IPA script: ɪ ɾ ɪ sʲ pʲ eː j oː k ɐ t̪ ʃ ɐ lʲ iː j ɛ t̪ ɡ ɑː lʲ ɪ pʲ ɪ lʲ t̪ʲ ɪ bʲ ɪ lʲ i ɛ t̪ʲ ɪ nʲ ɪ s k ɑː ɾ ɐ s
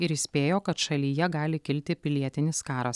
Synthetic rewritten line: ɪ ɾ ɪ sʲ pʲ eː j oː k ɐ t̪ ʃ ɐ lʲ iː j ɛ ɡ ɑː lʲ ɪ kʲ ɪ lʲ t̪ʲ ɪ pʲ ɪ lʲ i ɛ t̪ʲ ɪ nʲ ɪ s k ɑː ɾ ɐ s